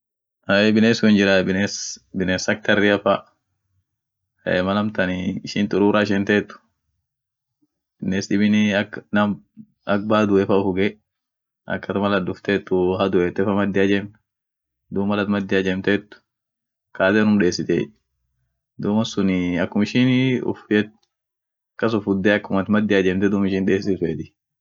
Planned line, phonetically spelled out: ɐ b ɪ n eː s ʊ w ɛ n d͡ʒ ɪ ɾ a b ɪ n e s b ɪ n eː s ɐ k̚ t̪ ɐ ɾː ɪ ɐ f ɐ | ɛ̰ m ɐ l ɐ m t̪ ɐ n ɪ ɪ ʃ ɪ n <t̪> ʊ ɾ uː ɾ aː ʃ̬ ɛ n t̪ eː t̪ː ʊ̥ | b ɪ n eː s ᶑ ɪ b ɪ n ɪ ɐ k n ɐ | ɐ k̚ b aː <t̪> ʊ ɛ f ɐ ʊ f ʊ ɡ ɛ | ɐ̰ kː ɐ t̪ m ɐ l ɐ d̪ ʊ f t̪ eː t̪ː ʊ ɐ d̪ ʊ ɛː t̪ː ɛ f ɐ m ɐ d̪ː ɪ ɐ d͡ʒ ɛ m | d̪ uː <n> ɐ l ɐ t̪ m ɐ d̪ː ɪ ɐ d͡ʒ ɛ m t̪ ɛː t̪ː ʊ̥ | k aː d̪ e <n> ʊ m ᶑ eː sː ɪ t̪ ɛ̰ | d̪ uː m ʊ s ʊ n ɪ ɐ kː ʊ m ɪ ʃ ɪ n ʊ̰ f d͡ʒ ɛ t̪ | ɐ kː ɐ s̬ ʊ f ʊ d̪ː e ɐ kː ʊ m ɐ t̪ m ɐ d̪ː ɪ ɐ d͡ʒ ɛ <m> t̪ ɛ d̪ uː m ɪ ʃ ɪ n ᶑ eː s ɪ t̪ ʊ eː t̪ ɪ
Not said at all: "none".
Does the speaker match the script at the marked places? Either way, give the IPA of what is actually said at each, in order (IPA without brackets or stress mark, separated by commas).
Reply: t̪, d̪, m, n, m